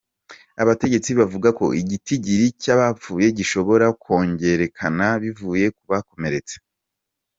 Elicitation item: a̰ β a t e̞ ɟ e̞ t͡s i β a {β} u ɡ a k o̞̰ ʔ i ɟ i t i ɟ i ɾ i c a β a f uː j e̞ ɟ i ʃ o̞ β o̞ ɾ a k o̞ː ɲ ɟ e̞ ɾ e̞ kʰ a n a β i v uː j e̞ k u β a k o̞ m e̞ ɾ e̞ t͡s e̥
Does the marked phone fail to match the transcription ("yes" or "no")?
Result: yes